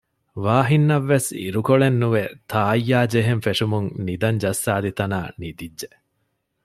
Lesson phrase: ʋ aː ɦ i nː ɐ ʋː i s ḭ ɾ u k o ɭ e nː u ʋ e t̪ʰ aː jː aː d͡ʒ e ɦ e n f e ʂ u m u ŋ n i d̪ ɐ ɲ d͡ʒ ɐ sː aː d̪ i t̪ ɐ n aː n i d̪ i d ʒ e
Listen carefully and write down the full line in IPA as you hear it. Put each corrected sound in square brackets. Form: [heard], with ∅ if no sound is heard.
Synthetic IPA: ʋ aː ɦ i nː ɐ ʋː [e] s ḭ ɾ u k o ɭ e nː u ʋ e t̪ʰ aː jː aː d͡ʒ e ɦ e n f e ʂ u m u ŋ n i d̪ ɐ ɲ d͡ʒ ɐ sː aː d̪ i t̪ ɐ n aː n i d̪ i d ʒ e